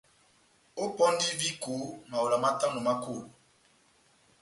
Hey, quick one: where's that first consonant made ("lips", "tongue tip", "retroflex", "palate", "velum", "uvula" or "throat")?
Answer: lips